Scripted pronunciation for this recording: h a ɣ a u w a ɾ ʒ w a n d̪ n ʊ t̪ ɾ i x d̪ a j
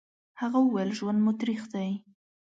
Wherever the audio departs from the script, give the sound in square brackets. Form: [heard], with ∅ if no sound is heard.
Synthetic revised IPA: h a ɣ a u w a [l] ʒ w a n d̪ [m] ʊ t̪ ɾ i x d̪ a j

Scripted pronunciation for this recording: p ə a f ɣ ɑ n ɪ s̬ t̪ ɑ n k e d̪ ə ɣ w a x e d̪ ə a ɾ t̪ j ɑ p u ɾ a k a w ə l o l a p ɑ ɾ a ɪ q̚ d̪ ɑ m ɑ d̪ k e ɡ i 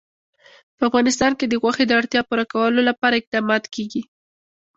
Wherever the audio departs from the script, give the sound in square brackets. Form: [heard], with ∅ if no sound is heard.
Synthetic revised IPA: p ə a f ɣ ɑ n ɪ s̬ t̪ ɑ n k e d̪ ə ɣ w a x e d̪ ə a [ɽ] t̪ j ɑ p u ɾ a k a w ə l o l a p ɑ ɾ a ɪ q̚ d̪ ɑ m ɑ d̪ k e ɡ i

